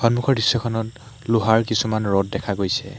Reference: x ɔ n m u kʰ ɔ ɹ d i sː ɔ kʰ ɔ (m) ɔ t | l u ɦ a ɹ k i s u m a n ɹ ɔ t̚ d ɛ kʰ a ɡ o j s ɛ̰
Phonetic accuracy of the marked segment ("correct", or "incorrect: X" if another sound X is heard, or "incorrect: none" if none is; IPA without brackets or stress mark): incorrect: n